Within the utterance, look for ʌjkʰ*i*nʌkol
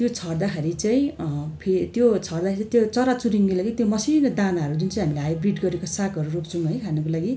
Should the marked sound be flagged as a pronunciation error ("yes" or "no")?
yes